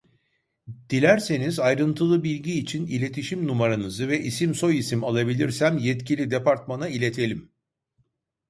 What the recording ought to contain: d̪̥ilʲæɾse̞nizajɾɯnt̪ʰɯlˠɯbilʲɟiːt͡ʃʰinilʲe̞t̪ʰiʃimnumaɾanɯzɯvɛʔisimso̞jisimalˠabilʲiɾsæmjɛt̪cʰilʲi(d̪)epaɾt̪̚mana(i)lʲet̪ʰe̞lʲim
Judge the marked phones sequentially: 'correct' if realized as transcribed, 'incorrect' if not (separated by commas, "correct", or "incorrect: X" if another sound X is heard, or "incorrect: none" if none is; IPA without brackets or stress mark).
correct, correct